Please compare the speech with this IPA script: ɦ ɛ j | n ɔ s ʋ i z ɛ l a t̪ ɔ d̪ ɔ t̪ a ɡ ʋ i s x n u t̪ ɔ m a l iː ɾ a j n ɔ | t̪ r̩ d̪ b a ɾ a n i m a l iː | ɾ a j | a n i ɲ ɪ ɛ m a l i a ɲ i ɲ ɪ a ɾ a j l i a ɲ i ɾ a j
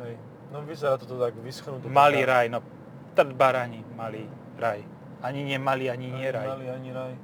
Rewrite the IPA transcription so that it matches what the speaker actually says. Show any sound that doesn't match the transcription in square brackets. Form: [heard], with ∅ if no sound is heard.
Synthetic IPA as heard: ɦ ɛ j | n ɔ [∅] ʋ i z ɛ [ɾ] a t̪ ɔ [t̪] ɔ t̪ a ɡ ʋ i s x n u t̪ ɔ m a l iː ɾ a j n ɔ | t̪ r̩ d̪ b a ɾ a [ɲ] i m a l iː | ɾ a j | a [ɲ] i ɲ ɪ ɛ m a l i a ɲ i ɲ ɪ [ɛ] ɾ a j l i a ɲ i ɾ a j